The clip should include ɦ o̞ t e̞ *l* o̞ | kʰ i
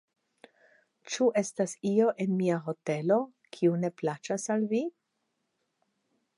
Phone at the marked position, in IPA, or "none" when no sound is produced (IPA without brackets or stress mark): l